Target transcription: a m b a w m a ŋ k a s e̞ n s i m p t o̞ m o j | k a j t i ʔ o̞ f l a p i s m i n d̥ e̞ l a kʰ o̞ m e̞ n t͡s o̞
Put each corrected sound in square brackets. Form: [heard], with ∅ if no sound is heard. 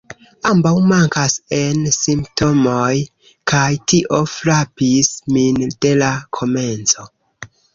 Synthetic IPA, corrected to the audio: a m b a w m a ŋ k a s e̞ n s i m p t o̞ m o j | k a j t i ʔ o̞ f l a p i s m i n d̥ e̞ l a kʰ o̞ m e̞ n t͡s o̞

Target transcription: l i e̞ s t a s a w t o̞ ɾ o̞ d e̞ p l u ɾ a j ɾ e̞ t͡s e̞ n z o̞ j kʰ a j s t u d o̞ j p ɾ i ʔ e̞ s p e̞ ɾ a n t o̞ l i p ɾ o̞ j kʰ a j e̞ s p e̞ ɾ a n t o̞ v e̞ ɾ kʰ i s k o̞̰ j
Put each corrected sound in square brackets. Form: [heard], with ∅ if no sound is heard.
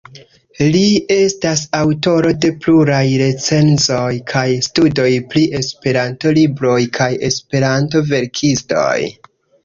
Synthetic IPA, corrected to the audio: l i e̞ s t a s a w t o̞ ɾ o̞ d e̞ p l u ɾ a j ɾ e̞ t͡s e̞ n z o̞ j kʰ a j s t u d o̞ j p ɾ i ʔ e̞ s p e̞ ɾ a n t o̞ l i [b] ɾ o̞ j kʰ a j e̞ s p e̞ ɾ a n t o̞ v e̞ ɾ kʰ i s [t] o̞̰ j

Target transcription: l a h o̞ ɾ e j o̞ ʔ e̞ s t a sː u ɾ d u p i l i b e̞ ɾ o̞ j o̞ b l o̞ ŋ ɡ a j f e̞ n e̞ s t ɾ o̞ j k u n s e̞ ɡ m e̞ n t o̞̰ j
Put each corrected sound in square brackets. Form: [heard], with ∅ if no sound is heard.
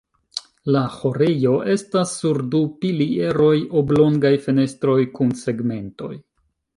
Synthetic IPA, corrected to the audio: l a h o̞ ɾ e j o̞ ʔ e̞ s t a sː u ɾ d u p i l i [∅] e̞ ɾ o̞ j o̞ b l o̞ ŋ ɡ a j f e̞ n e̞ s t ɾ o̞ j k u n s e̞ ɡ m e̞ n t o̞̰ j

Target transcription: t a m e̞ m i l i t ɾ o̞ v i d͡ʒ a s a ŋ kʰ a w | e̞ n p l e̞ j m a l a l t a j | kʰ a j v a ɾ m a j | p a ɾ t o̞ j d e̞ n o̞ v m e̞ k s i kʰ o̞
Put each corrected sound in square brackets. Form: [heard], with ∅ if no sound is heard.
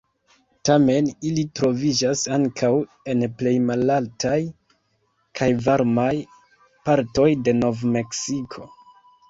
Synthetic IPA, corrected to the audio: t a m e̞ [n] i l i t ɾ o̞ v i d͡ʒ a s a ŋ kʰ a w | e̞ n p l e̞ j m a l a l t a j | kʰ a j v a ɾ m a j | p a ɾ t o̞ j d e̞ n o̞ v m e̞ k s i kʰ o̞

